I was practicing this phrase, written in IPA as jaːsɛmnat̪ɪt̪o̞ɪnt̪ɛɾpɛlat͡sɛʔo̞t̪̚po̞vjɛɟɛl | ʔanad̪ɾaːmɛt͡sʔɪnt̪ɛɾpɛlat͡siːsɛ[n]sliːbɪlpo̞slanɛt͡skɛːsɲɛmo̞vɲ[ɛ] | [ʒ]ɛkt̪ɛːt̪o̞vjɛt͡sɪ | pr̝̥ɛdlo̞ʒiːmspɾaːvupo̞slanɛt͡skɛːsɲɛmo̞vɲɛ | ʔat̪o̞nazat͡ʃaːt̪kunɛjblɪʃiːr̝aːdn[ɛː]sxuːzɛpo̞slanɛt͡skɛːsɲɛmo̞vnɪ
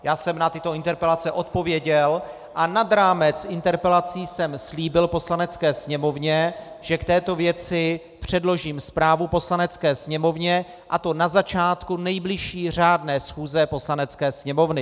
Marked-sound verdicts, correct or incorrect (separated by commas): incorrect, correct, correct, correct